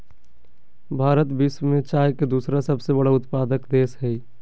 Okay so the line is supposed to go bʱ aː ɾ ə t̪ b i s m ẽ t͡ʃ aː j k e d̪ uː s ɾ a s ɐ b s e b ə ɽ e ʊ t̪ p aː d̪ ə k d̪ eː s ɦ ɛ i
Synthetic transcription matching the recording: bʱ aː ɾ ə t̪ b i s m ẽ t͡ʃ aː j k e d̪ uː s ɾ a s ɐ b s e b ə ɽ a ʊ t̪ p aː d̪ ə k d̪ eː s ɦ ɛ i